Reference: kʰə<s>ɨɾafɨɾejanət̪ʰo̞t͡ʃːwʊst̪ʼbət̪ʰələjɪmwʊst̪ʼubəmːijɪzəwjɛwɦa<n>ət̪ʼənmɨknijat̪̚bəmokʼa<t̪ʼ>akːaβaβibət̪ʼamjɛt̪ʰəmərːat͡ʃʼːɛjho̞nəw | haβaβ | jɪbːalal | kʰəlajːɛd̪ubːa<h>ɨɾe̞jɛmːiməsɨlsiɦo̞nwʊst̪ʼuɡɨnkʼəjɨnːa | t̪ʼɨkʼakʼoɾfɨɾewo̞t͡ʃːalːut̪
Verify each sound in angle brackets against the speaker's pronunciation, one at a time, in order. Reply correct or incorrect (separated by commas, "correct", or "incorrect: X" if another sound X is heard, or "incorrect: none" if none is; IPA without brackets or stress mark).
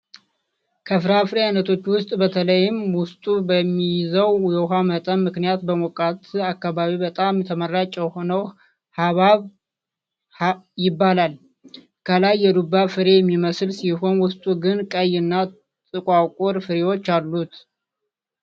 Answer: incorrect: f, incorrect: m, incorrect: t̪, incorrect: f